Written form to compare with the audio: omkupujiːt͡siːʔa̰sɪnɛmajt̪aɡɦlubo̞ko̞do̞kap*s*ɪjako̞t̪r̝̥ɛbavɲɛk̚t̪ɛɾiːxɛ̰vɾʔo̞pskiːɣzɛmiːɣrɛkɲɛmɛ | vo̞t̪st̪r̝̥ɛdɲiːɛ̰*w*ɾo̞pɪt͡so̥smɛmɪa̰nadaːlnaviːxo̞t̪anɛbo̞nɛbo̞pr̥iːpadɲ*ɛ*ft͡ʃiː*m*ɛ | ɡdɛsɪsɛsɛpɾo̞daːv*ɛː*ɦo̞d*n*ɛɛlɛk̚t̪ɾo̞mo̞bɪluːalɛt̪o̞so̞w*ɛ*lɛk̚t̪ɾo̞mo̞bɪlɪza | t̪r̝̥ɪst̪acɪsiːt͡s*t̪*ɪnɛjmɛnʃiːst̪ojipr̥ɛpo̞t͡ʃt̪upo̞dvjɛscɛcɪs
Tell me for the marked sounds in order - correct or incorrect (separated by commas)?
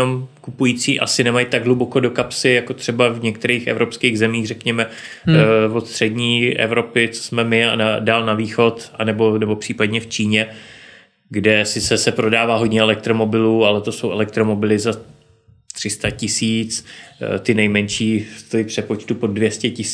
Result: correct, incorrect, correct, incorrect, incorrect, incorrect, correct, correct